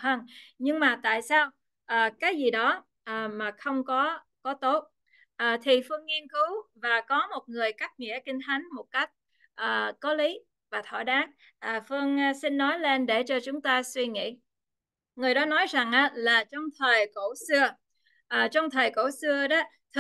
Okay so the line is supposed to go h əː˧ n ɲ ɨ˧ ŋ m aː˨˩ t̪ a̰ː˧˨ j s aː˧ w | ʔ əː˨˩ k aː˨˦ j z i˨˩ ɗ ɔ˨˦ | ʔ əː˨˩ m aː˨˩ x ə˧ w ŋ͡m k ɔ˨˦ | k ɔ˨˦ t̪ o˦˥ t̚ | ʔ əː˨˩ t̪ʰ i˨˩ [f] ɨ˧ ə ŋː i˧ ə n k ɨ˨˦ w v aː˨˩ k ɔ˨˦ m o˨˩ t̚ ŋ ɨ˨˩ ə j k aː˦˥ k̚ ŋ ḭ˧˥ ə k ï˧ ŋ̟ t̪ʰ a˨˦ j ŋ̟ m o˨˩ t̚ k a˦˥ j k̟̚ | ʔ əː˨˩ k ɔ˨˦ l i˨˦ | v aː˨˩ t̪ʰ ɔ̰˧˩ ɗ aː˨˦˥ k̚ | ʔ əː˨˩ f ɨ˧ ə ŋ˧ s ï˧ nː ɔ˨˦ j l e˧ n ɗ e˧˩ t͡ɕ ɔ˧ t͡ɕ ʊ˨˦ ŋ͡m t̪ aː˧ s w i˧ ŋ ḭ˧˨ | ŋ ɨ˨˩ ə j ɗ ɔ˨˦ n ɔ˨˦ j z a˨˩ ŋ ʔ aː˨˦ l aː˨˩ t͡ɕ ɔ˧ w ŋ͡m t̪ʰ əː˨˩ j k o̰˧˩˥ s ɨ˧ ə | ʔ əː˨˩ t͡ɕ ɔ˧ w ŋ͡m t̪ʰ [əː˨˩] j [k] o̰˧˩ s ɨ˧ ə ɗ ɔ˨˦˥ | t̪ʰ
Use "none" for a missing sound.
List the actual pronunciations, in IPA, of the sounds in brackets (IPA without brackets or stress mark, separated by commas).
f, əː˨˩, k